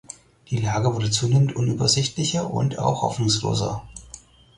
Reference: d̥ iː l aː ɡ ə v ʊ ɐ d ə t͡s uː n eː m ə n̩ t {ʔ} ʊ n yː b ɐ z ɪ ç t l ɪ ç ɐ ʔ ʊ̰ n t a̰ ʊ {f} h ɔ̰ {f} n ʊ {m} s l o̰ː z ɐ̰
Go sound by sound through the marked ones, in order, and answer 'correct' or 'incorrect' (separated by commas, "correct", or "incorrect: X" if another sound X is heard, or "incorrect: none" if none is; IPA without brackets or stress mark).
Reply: correct, incorrect: x, correct, incorrect: ŋ